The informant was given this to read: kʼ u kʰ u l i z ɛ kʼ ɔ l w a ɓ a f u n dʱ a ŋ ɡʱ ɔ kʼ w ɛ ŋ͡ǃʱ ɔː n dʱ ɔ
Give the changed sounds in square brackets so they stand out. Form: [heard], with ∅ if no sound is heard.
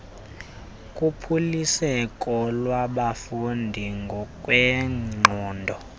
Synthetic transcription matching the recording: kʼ u [pʰ] u l i [s] ɛ kʼ ɔ l w a ɓ a f u n dʱ [i] ŋ ɡʱ ɔ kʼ w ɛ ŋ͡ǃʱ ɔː n dʱ ɔ